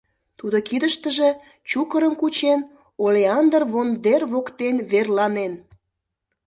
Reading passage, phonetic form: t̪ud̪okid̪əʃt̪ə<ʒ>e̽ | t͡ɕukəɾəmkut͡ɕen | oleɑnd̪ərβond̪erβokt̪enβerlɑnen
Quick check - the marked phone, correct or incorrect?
correct